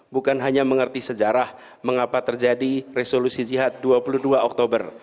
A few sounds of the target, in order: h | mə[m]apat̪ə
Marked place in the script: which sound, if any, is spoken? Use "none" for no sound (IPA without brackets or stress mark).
ŋ